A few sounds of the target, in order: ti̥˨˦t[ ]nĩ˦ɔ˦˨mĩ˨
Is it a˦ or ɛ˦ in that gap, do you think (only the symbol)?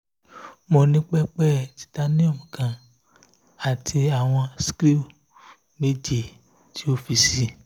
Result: a˦